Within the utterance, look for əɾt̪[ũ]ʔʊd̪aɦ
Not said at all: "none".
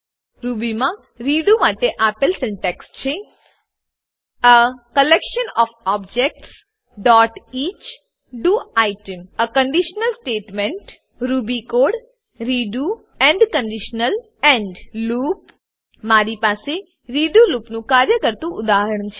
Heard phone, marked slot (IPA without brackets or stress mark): ũ